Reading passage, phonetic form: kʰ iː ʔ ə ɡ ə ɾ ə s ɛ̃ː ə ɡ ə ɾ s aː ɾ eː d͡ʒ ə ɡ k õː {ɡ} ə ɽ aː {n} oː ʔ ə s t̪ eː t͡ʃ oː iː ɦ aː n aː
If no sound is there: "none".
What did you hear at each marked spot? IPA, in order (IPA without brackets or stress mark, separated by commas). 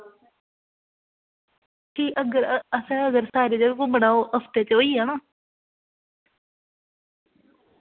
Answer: b, none